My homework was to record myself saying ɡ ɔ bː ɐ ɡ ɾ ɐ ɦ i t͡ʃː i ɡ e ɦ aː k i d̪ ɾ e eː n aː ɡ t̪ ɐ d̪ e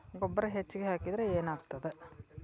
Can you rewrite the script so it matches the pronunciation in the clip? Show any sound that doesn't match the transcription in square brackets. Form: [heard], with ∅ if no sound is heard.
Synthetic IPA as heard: ɡ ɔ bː ɐ [∅] ɾ ɐ ɦ [e] t͡ʃː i ɡ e ɦ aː k i d̪ ɾ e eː n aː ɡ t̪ ɐ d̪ e